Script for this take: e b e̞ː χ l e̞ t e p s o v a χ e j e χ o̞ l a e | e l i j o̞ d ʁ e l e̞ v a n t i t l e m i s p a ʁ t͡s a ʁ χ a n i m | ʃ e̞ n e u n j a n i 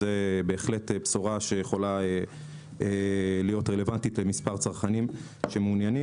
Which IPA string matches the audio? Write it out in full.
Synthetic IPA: e b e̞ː χ l e̞ t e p s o ʁ a ʃ e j e χ o̞ l a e | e l i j o̞ t ʁ e l e̞ v a n t i t l e m i s p a ʁ t͡s a ʁ χ a n i m | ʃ e̞ m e u n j a n i